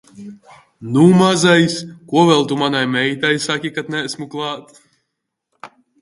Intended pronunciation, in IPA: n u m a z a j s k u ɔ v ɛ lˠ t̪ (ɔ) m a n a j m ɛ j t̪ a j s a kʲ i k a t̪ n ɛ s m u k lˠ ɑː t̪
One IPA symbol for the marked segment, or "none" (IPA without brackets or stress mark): u